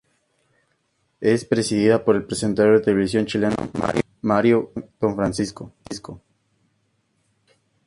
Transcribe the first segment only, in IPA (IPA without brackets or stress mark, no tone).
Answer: e